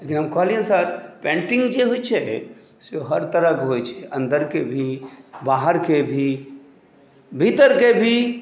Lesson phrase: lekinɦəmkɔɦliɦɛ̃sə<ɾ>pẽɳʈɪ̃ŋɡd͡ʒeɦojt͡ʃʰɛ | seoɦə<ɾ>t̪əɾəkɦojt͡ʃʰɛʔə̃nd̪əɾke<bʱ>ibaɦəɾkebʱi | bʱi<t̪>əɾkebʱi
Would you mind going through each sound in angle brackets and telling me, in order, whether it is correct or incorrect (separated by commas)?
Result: correct, correct, correct, correct